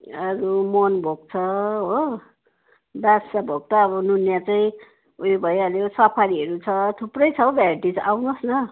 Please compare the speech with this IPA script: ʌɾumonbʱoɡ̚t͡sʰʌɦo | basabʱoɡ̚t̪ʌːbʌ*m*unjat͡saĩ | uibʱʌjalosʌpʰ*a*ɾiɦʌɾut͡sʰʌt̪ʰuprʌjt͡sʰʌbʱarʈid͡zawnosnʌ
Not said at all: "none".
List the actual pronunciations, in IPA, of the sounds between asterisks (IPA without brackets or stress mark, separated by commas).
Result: n, a